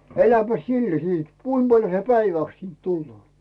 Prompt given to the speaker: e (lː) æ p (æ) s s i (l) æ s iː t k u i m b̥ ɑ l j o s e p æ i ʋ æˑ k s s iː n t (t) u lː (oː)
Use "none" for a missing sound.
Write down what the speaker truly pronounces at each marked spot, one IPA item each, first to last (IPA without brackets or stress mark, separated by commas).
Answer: l, æ, lː, t, oː